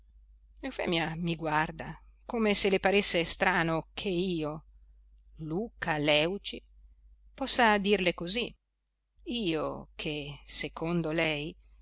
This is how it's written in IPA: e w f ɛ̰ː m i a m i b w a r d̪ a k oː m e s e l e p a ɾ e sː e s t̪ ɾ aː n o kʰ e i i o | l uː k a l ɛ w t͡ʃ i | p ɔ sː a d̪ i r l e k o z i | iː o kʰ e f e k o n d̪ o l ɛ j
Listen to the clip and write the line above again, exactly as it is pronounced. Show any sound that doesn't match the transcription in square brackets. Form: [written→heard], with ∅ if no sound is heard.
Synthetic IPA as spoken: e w f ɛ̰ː m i a m i [b→ɡ] w a r d̪ a k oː m e s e l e p a ɾ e sː e s t̪ ɾ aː n o kʰ e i [i→iː] o | l uː k a l ɛ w t͡ʃ i | p ɔ sː a d̪ i r l e k o z i | iː o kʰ e [f→s] e k o n d̪ o l ɛ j